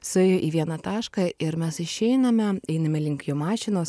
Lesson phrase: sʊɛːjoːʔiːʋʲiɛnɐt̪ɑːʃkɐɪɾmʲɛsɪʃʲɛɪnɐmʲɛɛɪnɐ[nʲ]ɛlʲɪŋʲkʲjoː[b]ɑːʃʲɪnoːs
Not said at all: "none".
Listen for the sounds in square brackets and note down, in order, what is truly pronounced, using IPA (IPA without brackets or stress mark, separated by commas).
mʲ, m